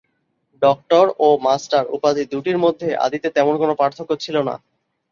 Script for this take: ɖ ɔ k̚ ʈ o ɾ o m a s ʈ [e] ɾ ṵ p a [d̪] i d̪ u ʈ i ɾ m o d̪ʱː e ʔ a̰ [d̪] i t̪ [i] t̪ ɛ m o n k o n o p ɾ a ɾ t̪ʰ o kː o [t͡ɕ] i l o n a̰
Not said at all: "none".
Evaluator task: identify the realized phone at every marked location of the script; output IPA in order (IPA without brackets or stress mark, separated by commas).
a, d̪, d̪, e, t͡ɕʰ